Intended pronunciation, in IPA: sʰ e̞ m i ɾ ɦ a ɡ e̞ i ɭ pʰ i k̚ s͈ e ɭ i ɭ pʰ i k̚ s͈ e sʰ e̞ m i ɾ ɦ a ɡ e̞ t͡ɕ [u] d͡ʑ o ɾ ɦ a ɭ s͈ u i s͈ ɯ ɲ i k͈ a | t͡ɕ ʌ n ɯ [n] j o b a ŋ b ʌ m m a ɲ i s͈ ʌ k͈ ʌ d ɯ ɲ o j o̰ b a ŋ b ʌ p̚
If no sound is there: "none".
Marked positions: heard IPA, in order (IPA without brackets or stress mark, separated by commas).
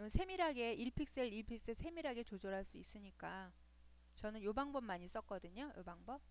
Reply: o, n